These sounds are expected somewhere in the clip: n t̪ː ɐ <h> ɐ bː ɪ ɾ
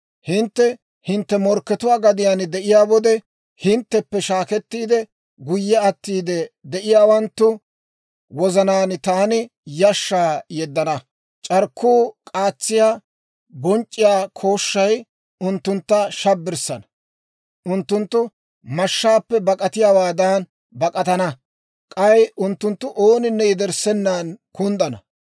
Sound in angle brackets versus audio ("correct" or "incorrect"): incorrect